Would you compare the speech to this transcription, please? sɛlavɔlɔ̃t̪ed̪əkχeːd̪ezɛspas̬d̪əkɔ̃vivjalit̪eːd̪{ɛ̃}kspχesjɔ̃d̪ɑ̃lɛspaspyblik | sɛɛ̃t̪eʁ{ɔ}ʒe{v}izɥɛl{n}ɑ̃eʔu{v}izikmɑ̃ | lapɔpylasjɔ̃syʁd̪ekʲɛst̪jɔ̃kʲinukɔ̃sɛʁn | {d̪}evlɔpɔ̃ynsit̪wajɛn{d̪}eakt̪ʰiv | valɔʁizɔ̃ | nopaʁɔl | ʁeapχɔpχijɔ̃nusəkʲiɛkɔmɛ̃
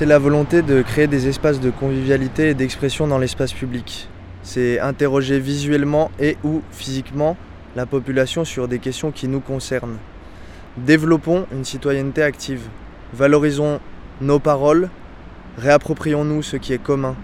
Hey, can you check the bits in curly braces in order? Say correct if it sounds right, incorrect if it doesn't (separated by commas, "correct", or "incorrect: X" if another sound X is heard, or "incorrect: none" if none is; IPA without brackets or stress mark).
incorrect: ɛ, correct, correct, incorrect: m, incorrect: f, correct, incorrect: t̪